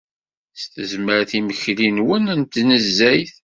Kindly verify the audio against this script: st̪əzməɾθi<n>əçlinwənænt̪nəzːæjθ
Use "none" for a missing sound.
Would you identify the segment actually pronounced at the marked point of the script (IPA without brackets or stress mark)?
m